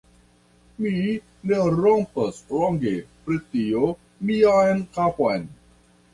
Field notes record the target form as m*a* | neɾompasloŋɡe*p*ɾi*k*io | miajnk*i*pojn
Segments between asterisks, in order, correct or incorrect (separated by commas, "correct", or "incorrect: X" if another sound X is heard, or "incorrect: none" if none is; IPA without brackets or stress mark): incorrect: i, correct, incorrect: t, incorrect: a